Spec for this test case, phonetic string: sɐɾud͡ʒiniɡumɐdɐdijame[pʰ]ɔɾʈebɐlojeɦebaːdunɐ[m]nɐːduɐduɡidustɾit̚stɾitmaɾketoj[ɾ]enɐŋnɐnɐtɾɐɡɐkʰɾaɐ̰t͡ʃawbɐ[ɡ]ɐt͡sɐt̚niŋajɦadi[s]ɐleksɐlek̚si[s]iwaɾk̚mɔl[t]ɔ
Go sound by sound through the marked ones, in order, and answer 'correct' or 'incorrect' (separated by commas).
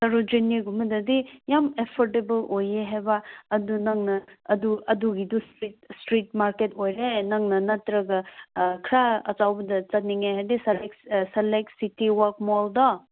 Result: correct, incorrect, correct, incorrect, correct, incorrect, incorrect